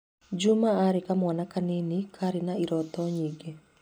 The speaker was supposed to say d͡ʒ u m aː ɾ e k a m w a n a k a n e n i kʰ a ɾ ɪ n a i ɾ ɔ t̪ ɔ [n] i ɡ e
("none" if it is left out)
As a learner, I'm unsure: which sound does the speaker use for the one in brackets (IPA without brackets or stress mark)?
ɲ